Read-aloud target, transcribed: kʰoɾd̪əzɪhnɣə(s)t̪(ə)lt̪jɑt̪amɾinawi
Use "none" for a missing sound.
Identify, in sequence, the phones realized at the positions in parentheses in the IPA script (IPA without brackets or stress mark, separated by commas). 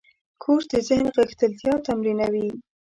x, ə